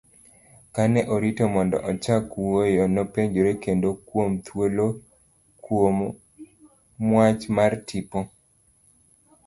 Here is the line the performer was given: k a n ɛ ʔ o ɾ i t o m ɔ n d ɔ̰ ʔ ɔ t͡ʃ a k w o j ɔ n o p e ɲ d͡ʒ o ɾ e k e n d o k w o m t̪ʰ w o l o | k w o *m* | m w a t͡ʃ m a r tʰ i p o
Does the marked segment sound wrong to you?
no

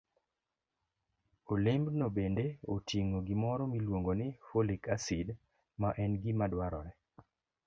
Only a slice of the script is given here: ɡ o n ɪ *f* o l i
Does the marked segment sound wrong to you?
no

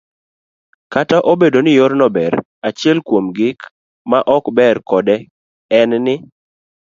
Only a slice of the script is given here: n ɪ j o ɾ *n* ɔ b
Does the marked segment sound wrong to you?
no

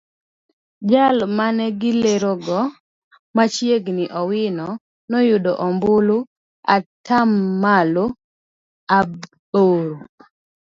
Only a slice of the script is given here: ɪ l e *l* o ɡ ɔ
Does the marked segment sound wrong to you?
yes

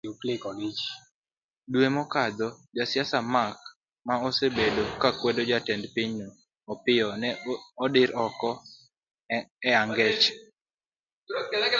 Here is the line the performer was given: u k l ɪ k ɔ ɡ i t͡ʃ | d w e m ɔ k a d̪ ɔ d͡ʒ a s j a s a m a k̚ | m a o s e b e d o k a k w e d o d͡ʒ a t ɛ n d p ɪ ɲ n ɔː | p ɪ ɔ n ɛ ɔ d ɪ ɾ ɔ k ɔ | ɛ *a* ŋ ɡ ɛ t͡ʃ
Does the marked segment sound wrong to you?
no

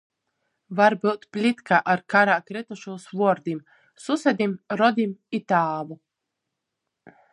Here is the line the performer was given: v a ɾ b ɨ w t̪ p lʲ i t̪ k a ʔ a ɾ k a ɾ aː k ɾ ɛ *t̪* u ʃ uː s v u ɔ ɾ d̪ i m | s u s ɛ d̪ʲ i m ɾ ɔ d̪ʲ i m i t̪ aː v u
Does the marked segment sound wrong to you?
no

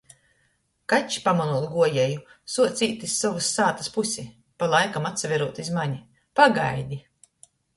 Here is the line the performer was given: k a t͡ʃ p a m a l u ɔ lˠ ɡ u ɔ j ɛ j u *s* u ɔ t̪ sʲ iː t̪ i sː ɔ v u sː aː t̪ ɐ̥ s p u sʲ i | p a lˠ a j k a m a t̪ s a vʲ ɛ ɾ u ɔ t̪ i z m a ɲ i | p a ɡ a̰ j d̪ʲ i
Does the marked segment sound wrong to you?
no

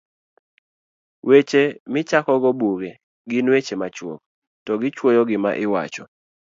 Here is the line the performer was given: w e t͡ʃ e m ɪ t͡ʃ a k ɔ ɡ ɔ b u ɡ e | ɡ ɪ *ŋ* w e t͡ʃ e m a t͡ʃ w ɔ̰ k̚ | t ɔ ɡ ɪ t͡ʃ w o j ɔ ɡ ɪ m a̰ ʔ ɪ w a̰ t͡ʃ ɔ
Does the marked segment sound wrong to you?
yes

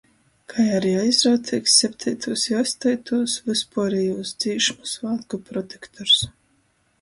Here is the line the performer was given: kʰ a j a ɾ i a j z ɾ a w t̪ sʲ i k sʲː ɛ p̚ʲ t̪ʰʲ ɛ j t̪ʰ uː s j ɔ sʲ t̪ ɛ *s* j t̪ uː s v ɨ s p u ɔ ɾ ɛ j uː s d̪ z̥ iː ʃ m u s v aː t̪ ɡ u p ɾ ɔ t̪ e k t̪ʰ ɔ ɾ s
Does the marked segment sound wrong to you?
yes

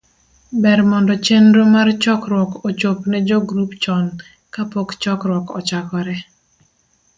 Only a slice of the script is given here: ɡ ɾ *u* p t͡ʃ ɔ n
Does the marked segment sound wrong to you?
no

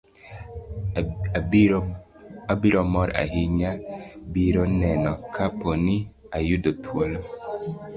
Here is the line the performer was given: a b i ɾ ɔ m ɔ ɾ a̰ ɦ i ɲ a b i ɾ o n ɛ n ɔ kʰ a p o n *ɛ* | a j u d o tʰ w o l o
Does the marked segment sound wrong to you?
yes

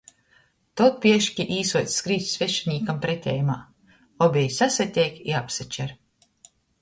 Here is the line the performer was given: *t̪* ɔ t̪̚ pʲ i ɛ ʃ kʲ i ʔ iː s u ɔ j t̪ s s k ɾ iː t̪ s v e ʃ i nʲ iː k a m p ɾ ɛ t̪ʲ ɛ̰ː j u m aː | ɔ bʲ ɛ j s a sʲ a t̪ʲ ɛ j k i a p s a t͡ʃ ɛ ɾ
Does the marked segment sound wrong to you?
no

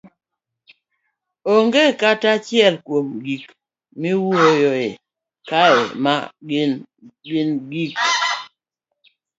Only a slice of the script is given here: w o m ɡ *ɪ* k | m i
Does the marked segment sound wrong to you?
yes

